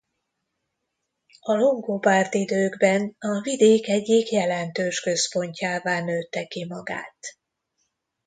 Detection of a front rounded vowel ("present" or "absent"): present